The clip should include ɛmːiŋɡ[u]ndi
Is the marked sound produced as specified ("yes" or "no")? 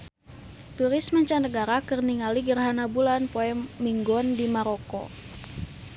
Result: no